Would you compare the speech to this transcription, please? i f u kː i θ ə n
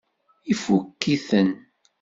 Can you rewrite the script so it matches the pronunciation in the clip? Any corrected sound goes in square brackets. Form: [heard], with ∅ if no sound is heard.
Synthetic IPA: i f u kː i θ ə n